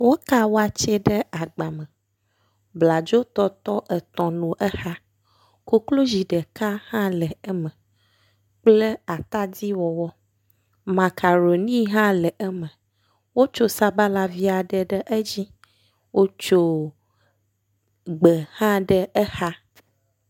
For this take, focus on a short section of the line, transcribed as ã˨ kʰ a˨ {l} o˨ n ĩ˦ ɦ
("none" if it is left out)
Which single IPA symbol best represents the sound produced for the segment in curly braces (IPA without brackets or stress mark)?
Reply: ɾ